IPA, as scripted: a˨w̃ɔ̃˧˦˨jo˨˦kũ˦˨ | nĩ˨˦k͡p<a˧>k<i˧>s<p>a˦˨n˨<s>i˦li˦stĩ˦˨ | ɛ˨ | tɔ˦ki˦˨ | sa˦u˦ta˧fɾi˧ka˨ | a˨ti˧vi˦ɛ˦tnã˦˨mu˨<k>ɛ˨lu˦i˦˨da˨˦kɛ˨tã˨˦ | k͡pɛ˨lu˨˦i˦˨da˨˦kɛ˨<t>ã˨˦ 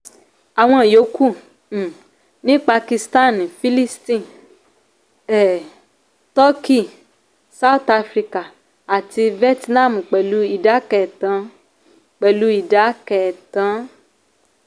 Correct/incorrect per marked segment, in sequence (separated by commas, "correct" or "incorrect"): correct, correct, incorrect, incorrect, incorrect, correct